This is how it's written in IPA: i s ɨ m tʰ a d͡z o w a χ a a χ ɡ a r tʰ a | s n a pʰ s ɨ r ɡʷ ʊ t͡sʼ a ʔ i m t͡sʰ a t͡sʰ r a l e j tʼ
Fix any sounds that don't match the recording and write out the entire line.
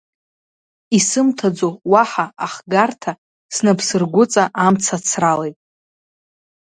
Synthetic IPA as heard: i s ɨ m tʰ a d͡z o w a ħ a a χ ɡ a r tʰ a | s n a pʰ s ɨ r ɡʷ ʊ t͡sʼ a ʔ a m t͡sʰ a t͡sʰ r a l e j tʼ